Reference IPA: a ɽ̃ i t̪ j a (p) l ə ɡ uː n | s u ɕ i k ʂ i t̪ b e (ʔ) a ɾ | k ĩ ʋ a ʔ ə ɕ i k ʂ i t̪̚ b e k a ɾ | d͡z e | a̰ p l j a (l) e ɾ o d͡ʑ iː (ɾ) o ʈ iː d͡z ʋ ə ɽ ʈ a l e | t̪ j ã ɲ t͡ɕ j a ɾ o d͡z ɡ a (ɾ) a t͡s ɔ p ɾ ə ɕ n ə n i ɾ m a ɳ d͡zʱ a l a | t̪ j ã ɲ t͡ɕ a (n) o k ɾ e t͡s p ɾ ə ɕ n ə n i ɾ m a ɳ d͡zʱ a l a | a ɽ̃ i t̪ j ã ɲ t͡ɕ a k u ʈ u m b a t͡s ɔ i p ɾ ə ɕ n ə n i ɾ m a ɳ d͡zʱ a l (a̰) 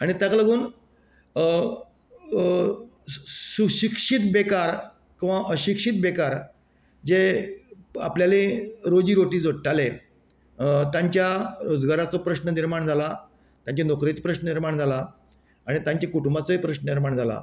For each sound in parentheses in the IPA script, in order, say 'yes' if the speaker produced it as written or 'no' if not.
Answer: no, no, yes, yes, yes, yes, yes

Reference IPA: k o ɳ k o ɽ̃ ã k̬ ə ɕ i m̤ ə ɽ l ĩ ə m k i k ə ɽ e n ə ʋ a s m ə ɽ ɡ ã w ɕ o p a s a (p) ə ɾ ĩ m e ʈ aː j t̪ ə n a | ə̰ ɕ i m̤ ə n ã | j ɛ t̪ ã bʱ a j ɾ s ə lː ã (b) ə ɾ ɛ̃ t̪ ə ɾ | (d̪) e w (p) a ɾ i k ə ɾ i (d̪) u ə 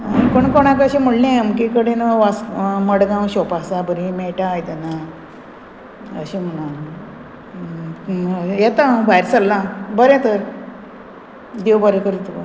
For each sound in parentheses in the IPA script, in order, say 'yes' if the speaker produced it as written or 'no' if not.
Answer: no, yes, yes, no, no

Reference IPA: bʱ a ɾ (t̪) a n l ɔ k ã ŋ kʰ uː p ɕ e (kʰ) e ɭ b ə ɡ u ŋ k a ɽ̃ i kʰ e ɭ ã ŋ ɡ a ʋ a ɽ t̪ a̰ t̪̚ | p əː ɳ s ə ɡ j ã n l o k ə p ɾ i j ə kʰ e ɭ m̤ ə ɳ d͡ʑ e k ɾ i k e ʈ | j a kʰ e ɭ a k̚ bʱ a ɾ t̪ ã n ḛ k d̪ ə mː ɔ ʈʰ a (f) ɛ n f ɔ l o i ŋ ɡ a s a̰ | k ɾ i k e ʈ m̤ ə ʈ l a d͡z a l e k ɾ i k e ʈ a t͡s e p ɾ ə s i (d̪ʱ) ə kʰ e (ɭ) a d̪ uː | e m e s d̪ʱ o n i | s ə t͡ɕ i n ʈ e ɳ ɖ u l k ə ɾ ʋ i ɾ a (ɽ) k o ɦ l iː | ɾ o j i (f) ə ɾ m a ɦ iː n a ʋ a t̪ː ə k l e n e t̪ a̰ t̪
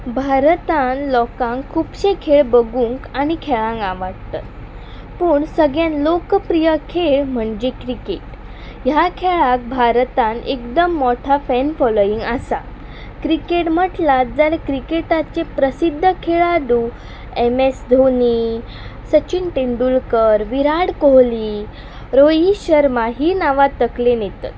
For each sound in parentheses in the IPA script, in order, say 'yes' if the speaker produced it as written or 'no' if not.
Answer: yes, yes, yes, no, yes, yes, no

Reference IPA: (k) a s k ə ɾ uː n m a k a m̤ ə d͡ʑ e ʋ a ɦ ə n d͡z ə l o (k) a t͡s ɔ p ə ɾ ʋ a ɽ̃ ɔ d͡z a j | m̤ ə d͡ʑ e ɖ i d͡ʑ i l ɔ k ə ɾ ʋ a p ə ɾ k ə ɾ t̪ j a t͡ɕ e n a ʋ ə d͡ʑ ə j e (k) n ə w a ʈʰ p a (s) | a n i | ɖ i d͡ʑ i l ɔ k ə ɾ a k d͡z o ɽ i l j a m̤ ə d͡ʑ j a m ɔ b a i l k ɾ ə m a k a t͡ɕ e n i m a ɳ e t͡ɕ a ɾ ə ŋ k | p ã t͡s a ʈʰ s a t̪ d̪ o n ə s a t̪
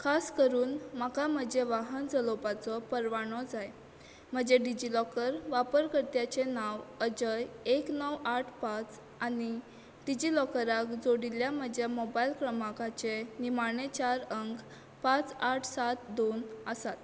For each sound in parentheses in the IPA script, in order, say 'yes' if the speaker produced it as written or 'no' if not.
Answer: no, no, yes, no

